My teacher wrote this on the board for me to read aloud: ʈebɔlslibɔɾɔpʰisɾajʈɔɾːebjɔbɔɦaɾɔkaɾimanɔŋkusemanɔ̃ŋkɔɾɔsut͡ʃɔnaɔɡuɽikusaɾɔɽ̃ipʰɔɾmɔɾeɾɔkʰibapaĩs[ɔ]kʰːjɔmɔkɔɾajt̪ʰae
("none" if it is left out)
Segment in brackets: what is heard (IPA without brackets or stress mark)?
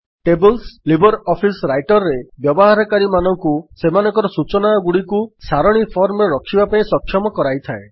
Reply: ɔ